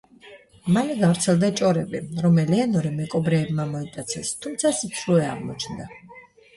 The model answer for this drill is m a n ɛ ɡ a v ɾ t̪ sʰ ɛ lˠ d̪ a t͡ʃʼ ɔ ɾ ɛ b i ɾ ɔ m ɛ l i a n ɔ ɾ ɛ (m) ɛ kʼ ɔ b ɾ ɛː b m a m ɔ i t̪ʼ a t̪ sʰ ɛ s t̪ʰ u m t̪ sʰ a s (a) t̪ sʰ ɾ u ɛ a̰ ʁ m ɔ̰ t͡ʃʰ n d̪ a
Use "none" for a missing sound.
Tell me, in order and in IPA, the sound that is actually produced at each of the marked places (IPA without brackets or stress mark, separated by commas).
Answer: m, i